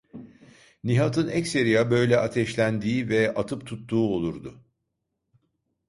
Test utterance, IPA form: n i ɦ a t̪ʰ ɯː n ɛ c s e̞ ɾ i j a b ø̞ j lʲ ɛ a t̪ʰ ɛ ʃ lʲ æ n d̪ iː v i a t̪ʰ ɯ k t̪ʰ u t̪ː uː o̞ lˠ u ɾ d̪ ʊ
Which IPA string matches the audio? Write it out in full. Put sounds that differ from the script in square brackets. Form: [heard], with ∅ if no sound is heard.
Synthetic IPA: n i ɦ a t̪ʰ [ɯ] n ɛ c s e̞ ɾ i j a b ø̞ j lʲ ɛ a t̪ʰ ɛ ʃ lʲ æ n d̪ iː v [ɛ] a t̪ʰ ɯ [p] t̪ʰ u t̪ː uː o̞ lˠ u ɾ d̪ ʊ